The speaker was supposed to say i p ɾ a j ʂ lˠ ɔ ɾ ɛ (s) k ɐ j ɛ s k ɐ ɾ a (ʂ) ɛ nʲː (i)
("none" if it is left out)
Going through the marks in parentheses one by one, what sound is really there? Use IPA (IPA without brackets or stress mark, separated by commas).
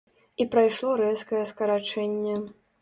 s, t͡ʂ, ɛ